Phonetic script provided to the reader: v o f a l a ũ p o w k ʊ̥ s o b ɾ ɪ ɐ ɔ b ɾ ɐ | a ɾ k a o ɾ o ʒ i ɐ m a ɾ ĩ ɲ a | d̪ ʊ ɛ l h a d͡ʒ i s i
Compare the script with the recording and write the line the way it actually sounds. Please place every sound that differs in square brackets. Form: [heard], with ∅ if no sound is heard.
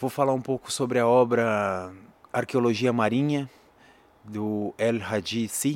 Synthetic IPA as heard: v o f a l a ũ p o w k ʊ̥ s o b ɾ ɪ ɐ ɔ b ɾ ɐ | a ɾ k [e] o [l] o ʒ i ɐ m a ɾ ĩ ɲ [ɐ] | d̪ ʊ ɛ l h a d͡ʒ i s i